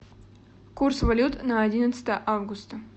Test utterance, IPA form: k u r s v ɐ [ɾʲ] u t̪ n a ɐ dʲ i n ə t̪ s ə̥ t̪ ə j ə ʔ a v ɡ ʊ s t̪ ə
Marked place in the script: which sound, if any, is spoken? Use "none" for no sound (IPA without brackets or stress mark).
lʲ